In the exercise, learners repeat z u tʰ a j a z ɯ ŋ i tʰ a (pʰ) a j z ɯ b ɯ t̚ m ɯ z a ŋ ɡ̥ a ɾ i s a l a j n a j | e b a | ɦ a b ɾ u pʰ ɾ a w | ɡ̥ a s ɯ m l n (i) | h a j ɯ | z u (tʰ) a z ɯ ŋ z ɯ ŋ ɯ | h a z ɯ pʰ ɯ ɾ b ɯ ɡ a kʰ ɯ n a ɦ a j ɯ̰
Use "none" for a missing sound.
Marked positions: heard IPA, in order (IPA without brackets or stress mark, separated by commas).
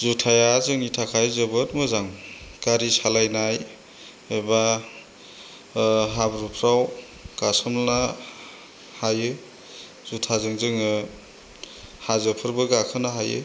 kʰ, a, tʰ